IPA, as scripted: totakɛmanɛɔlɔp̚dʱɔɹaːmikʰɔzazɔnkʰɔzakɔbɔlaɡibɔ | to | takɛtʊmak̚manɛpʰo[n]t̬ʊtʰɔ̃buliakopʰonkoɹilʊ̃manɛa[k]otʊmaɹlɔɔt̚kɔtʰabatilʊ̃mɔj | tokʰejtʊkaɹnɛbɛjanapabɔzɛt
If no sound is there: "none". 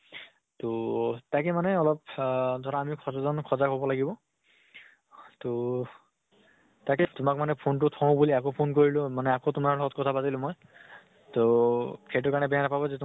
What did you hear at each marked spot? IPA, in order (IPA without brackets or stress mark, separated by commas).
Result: n, k